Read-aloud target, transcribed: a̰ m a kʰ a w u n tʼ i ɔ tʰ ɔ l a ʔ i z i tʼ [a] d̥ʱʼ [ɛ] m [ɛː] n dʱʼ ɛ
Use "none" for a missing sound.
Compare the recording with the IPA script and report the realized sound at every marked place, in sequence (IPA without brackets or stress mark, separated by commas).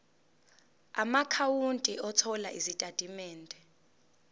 a, i, ɛː